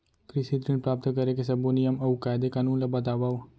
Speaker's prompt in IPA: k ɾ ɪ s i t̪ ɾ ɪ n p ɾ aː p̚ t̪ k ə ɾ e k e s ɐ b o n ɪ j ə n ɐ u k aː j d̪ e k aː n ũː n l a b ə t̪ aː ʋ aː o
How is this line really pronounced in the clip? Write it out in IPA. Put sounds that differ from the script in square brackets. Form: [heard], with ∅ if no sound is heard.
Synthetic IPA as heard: k ɾ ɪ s i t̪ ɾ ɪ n p ɾ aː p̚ t̪ k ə ɾ e k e s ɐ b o n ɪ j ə [m] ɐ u k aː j d̪ e k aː n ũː n l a b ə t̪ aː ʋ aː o